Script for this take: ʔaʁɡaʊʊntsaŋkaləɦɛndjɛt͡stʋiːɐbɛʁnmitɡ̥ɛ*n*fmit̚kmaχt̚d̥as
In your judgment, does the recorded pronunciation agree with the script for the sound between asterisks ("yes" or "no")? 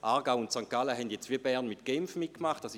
no